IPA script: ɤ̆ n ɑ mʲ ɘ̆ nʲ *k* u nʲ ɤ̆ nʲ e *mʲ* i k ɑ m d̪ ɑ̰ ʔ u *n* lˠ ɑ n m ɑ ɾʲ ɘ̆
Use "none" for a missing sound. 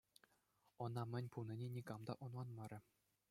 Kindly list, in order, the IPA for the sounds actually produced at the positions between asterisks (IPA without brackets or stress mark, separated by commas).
p, nʲ, n